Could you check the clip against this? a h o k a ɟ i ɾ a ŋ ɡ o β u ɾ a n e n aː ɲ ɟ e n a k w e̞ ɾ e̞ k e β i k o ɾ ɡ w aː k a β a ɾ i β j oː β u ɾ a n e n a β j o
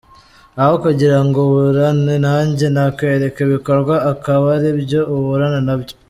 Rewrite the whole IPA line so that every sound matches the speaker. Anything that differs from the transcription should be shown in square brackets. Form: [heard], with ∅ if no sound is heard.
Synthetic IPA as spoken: a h o k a ɟ i ɾ a ŋ ɡ o β u ɾ a n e n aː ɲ ɟ e n a k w e̞ ɾ e̞ k e β i k o ɾ ɡ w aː k a β a ɾ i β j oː β u ɾ a n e n a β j o